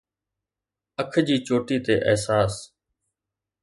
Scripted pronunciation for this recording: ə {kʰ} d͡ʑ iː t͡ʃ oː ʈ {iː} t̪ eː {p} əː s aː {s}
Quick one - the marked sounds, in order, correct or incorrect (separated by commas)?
correct, correct, incorrect, correct